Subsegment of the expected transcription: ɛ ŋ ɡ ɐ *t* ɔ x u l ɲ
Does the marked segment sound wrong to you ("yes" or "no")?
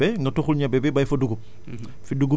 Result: no